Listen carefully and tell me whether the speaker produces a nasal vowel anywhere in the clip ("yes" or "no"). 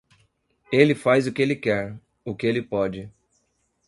no